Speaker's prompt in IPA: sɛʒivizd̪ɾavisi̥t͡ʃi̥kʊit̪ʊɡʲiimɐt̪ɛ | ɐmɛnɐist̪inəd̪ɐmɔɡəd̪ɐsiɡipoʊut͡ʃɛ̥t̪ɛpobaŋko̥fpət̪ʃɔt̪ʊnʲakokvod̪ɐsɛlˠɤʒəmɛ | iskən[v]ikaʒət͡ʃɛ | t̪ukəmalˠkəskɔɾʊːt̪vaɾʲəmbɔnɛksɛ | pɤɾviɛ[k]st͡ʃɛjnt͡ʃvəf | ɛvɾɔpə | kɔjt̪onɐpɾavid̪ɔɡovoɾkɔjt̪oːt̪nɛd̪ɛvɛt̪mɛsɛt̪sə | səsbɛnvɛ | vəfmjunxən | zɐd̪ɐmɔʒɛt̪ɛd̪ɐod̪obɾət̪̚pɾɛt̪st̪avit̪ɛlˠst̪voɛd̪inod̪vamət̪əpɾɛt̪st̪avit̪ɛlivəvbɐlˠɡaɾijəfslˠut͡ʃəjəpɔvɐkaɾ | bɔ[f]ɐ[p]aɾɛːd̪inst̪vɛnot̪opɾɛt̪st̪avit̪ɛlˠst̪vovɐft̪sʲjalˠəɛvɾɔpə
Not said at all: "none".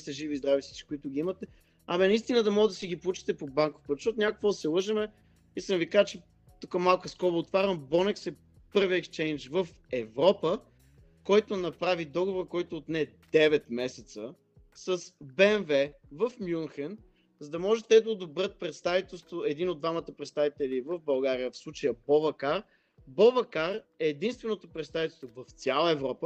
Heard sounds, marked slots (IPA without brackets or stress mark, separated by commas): v, k, v, k